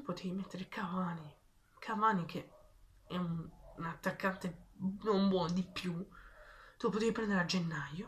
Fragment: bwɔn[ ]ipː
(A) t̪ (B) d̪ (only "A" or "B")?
B